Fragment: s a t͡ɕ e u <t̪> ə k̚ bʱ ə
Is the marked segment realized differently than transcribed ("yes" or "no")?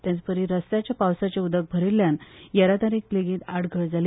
yes